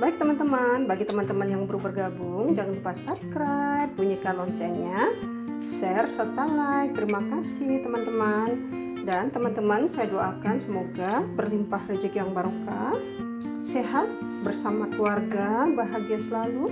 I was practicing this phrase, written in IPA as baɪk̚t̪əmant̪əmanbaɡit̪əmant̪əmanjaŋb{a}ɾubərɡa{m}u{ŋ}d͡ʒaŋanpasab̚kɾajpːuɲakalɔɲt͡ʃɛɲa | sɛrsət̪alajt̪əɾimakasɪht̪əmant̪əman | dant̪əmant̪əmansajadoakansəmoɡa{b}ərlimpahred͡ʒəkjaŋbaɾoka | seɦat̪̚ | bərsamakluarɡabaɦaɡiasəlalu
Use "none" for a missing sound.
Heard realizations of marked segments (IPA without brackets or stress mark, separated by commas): ə, b, ŋ, b